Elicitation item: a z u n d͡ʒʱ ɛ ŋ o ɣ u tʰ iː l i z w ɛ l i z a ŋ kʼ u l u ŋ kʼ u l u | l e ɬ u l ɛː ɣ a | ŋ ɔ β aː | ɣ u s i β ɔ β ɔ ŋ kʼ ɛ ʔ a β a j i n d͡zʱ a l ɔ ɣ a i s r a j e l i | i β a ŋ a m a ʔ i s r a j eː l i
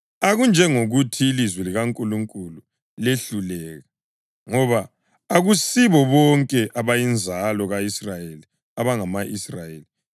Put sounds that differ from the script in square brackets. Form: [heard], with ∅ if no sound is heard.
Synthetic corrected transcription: a [ɣ] u n d͡ʒʱ ɛ ŋ o ɣ u tʰ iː l i z w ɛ l i [ɣ] a ŋ kʼ u l u ŋ kʼ u l u | l e ɬ u l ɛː ɣ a | ŋ ɔ β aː | ɣ u s i β ɔ β ɔ ŋ kʼ ɛ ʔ a β a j i n d͡zʱ a l ɔ ɣ a i s r a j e l i | [a] β a ŋ a m a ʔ i s r a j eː l i